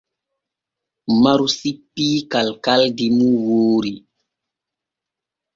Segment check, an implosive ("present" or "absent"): absent